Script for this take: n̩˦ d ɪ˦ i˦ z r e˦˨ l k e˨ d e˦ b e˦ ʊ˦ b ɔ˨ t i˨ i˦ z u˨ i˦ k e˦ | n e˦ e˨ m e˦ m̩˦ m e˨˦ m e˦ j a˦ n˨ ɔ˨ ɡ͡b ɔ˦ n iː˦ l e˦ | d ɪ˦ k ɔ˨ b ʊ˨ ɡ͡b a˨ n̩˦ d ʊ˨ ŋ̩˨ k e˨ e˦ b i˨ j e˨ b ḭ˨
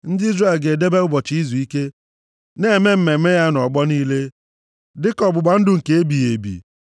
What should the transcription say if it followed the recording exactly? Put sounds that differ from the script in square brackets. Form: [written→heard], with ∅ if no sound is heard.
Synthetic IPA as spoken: n̩˦ d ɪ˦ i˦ z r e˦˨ l [k→ɡ] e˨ d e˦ b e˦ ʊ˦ b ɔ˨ [t→t͡ʃ] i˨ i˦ z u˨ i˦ k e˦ | n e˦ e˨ m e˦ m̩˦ m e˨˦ m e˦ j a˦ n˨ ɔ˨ ɡ͡b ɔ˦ n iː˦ l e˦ | d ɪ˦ k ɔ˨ b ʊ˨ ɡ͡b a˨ n̩˦ d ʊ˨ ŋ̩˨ k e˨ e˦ b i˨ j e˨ b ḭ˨